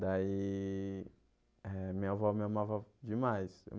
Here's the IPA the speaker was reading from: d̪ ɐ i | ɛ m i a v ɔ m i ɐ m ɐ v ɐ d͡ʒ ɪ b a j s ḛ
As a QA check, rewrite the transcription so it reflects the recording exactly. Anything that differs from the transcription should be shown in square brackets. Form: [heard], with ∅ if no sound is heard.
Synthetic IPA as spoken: d̪ [a] i | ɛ m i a v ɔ m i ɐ m [a] v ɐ d͡ʒ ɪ [m] a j s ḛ